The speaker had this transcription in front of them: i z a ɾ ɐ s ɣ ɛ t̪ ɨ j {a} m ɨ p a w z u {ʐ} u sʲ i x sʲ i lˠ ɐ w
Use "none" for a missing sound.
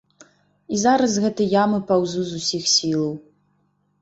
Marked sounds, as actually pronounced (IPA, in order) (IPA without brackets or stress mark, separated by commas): a, z